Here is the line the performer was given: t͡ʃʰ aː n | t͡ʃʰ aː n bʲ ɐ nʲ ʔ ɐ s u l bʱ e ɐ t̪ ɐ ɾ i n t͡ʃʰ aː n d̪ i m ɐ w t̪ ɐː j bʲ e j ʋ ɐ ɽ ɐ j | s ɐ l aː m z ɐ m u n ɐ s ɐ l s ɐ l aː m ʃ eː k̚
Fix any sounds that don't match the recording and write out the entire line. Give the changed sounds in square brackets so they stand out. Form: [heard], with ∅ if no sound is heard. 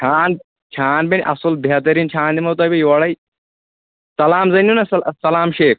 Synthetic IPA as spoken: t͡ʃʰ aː n | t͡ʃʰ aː n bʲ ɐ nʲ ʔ ɐ s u l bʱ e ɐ t̪ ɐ ɾ i n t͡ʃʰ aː n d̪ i m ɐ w t̪ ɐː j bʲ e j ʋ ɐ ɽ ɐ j | s ɐ l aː m z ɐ [n] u n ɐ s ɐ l s ɐ l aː m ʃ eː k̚